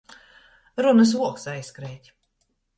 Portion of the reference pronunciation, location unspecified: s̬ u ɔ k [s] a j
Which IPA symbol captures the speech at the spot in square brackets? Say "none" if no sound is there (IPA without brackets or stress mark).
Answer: s